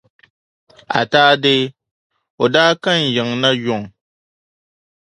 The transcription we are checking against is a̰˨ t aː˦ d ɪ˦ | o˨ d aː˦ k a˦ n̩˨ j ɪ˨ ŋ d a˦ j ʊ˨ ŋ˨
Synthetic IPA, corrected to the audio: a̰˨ t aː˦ d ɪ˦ | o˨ d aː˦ k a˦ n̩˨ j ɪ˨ ŋ n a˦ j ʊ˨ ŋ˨